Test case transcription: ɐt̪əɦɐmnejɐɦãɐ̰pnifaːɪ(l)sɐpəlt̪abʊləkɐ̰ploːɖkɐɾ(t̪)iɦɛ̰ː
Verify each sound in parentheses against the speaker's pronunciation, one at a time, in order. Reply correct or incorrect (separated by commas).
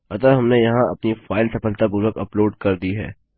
correct, incorrect